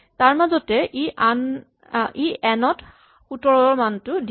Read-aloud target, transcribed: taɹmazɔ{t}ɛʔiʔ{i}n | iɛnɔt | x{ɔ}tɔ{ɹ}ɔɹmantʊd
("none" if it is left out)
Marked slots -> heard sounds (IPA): t, a, u, ɹ

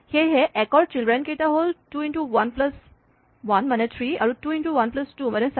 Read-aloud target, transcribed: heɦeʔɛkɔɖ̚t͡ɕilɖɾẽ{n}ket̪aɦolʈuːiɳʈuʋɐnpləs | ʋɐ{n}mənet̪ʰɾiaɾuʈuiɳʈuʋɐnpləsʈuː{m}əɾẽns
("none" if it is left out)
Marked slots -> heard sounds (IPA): n, n, m

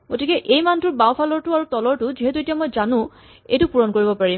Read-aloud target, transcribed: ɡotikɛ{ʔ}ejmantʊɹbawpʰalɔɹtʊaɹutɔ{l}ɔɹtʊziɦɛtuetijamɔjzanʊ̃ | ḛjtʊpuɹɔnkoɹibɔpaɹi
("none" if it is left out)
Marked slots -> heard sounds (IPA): ʔ, l

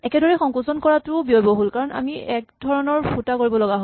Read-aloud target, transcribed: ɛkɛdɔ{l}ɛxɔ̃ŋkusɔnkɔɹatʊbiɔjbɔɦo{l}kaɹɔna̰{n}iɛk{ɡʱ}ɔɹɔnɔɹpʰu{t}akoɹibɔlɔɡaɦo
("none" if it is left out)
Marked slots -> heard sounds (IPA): ɹ, l, m, dʱ, t

